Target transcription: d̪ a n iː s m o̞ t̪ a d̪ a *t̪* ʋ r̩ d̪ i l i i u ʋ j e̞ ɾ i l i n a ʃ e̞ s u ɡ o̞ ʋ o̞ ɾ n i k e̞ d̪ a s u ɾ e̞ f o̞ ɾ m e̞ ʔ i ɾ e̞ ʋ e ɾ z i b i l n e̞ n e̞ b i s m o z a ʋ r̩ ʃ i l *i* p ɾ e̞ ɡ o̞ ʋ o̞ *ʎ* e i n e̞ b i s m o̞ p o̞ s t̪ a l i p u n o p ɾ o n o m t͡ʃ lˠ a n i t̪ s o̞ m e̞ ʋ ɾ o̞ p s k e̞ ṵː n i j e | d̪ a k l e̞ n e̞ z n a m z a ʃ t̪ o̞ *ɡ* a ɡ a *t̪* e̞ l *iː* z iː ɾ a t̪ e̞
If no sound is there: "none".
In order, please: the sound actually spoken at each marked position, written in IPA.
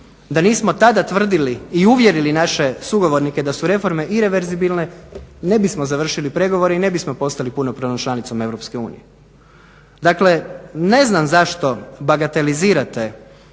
t̪, i, ɾ, b, t̪, i

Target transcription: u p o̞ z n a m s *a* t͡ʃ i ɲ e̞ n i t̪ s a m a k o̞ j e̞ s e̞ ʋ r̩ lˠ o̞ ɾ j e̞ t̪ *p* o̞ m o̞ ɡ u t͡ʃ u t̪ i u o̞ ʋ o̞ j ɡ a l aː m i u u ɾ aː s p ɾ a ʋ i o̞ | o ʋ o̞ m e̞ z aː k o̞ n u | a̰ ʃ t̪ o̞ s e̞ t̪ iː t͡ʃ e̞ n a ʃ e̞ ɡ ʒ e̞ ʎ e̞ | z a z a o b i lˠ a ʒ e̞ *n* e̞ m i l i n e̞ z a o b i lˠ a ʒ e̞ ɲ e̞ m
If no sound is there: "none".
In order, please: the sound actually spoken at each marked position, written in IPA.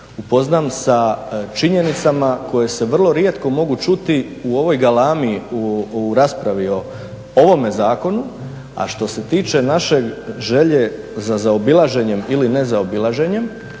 a, k, ɲ

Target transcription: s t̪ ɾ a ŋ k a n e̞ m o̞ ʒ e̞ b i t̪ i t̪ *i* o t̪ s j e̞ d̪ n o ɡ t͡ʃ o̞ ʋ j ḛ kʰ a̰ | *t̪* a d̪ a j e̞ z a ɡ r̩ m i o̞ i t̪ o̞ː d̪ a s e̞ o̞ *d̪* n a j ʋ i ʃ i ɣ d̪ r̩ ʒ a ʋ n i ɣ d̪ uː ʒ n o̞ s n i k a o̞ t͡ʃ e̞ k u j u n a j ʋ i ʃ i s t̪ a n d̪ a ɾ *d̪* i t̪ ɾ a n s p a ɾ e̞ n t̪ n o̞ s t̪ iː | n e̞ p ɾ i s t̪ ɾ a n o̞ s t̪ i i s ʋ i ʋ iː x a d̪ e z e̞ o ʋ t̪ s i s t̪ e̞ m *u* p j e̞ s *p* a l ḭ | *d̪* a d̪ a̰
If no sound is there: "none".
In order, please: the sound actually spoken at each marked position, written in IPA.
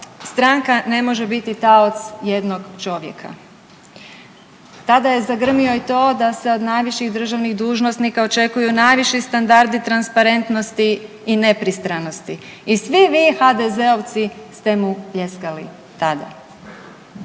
a, t̪, d̪, d̪, u, k, t̪

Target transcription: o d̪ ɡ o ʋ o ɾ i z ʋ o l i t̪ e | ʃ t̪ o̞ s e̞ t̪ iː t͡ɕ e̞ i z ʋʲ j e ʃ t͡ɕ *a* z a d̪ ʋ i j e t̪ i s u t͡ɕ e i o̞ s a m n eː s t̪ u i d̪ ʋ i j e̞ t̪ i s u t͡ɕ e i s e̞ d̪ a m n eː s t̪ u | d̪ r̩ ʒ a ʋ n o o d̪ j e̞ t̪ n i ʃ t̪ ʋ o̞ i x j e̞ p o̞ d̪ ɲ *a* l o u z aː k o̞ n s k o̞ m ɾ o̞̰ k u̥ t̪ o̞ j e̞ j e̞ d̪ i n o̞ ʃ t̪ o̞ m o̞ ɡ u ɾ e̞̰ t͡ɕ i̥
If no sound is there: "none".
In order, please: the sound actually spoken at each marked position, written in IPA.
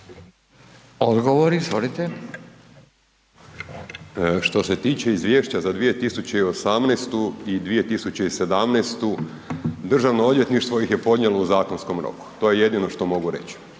a, e

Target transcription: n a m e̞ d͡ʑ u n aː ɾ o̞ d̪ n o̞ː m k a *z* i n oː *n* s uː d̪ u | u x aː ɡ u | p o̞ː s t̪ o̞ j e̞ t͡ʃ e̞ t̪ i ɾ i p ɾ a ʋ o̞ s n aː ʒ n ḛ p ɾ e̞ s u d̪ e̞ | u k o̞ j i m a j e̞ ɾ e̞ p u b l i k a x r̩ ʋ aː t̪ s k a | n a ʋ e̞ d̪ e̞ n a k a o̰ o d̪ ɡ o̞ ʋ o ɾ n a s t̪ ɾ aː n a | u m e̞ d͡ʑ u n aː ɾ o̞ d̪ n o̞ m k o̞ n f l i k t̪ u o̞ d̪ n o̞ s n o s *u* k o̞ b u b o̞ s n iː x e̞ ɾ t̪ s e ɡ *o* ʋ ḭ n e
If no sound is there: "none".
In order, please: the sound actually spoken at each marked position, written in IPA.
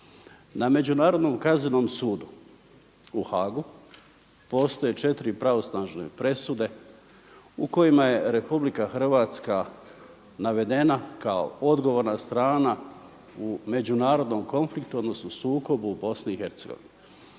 z, m, uː, o

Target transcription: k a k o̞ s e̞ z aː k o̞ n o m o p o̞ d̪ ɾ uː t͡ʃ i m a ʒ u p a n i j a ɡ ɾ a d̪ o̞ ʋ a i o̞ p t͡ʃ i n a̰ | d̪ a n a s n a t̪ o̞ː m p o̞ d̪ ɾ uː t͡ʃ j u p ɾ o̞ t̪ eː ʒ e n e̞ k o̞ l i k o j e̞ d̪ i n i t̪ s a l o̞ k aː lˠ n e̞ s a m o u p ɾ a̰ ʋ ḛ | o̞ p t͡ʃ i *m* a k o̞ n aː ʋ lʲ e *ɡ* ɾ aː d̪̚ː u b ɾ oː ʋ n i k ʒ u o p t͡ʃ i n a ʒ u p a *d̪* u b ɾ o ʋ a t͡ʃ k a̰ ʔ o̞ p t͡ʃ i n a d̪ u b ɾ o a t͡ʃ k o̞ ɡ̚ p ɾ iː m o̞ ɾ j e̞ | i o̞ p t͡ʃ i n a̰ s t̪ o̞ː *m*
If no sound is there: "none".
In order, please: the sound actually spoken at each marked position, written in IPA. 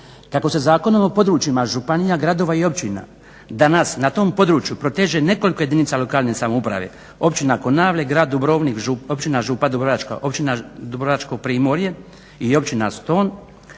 n, ɡ, d̪, n

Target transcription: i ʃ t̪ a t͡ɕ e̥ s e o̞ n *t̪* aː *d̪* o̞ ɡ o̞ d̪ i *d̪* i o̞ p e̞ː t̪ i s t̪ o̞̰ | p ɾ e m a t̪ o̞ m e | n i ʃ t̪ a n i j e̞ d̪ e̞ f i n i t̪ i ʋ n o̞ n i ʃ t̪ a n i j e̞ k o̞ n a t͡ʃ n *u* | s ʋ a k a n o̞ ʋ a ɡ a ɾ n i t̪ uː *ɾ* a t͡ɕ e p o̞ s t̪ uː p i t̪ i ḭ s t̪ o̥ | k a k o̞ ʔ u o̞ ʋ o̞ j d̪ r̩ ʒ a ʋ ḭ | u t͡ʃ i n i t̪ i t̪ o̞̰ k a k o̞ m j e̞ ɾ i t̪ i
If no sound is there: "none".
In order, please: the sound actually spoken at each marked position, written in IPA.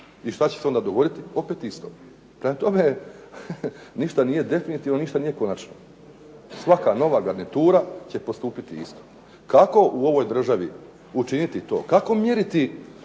d̪, d̪, t̪, o, ɾ

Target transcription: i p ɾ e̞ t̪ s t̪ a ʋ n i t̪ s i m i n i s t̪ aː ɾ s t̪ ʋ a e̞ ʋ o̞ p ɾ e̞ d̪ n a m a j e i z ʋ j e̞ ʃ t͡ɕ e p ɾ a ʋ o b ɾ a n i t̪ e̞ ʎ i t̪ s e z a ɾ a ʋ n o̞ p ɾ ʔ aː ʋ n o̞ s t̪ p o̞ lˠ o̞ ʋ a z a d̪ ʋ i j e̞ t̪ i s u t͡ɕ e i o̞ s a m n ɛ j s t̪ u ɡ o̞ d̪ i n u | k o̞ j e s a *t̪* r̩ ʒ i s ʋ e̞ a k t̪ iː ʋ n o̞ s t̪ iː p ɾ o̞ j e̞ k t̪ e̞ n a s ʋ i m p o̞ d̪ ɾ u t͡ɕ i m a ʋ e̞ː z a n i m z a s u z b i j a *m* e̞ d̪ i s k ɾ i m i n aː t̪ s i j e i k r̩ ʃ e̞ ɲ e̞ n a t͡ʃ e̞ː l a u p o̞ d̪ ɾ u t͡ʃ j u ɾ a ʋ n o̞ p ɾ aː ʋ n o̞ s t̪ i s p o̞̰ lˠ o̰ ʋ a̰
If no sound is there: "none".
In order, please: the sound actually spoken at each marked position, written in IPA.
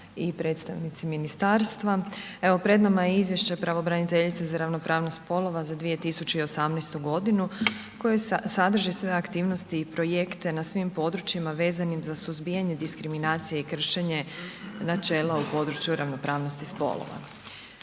d̪, ɲ

